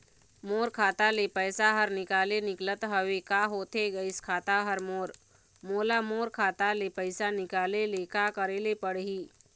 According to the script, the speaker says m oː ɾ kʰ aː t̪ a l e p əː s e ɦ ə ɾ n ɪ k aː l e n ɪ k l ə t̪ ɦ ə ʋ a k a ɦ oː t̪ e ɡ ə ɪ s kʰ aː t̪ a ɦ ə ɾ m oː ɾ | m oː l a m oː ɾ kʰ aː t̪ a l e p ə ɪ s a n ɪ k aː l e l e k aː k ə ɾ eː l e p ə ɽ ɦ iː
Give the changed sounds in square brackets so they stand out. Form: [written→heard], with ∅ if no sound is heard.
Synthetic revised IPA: m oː ɾ kʰ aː t̪ a l e p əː s [e→a] ɦ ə ɾ n ɪ k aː l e n ɪ k l ə t̪ ɦ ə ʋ [a→e] k a ɦ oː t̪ e ɡ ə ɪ s kʰ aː t̪ a ɦ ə ɾ m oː ɾ | m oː l a m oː ɾ kʰ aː t̪ a l e p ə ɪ s a n ɪ k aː l e l e k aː k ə ɾ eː l e p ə ɽ ɦ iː

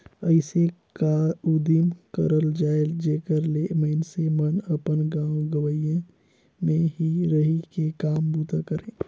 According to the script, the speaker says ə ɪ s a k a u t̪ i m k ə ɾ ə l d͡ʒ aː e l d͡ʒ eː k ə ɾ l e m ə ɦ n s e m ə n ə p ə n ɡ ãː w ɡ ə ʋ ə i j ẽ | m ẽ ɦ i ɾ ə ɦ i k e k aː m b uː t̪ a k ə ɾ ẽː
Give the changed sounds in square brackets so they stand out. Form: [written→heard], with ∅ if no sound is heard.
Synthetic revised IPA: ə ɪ s [a→e] k a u [t̪→d̪] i m k ə ɾ ə l d͡ʒ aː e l d͡ʒ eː k ə ɾ l e m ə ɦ n s e m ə n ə p ə n ɡ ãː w ɡ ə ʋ ə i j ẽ | m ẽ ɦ i ɾ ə ɦ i k e k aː m b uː t̪ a k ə ɾ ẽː

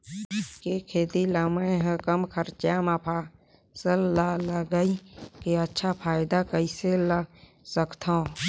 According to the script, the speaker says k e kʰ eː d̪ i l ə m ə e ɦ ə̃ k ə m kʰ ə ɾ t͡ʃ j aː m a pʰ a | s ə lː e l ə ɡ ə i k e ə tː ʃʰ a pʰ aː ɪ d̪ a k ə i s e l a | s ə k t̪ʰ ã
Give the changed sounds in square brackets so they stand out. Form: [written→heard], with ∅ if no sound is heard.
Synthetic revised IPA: k e kʰ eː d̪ i l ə m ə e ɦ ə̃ k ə m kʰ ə ɾ t͡ʃ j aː m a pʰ a | s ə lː [e→a] l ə ɡ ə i k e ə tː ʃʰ a pʰ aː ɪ d̪ a k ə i s e l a | s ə k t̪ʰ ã

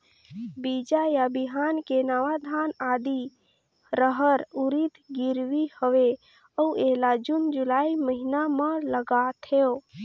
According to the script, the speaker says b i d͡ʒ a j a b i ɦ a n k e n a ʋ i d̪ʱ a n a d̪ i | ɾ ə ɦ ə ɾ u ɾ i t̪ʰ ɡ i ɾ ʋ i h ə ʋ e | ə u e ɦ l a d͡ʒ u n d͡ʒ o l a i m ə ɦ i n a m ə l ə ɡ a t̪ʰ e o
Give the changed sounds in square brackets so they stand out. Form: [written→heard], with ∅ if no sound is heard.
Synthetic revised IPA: b i d͡ʒ a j a b i ɦ a n k e n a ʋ [i→a] d̪ʱ a n a d̪ i | ɾ ə ɦ ə ɾ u ɾ i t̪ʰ ɡ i ɾ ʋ i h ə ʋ e | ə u e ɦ l a d͡ʒ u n d͡ʒ [o→u] l a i m ə ɦ i n a m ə l ə ɡ a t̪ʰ e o

